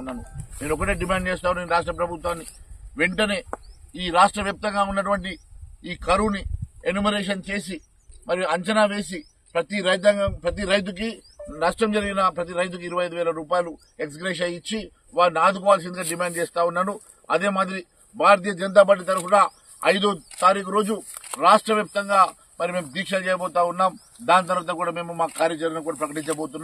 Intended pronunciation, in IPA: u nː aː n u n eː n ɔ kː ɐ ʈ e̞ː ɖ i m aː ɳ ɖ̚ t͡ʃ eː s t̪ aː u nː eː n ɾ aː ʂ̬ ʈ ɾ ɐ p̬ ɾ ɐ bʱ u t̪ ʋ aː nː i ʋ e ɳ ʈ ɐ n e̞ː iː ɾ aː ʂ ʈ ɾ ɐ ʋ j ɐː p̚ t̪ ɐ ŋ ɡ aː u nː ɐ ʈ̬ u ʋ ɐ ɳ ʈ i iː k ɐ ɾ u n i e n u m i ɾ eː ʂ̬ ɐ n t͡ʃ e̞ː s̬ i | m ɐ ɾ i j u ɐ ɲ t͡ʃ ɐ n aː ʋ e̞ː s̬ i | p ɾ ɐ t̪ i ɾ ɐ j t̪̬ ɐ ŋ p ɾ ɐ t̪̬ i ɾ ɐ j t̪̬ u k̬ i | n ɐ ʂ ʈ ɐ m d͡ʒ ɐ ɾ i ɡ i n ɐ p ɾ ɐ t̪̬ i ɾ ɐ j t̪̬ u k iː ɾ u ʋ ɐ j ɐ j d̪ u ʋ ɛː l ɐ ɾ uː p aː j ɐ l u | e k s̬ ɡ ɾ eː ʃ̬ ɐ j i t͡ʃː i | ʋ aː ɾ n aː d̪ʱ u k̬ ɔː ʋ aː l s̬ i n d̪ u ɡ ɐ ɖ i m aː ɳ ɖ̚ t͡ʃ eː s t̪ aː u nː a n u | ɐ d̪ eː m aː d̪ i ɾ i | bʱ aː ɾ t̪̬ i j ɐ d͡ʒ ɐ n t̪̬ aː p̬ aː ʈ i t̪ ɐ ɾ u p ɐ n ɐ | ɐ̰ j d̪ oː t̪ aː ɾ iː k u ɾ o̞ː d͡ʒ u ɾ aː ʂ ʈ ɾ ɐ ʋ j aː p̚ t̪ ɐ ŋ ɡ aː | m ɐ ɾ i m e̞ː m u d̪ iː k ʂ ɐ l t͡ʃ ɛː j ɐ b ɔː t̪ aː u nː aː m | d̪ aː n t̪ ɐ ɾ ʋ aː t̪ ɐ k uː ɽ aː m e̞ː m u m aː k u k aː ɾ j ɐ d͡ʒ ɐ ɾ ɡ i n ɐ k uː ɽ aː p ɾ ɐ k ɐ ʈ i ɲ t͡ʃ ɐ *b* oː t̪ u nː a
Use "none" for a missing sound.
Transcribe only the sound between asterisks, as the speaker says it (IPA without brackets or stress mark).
b